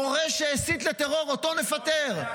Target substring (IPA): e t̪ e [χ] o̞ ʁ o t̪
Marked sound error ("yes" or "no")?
yes